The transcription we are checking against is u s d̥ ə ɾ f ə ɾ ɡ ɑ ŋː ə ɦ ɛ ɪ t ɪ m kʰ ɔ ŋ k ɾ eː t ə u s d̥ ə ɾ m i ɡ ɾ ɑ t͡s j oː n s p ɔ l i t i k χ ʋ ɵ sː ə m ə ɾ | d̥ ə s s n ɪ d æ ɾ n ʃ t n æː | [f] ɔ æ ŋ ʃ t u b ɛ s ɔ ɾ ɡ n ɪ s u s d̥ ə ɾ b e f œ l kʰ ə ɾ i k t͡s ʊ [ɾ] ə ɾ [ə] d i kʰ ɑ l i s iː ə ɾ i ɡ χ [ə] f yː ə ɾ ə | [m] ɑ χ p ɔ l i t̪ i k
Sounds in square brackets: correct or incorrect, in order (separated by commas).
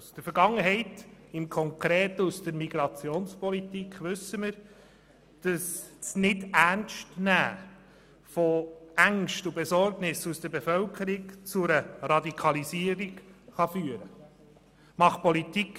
correct, correct, incorrect, incorrect, correct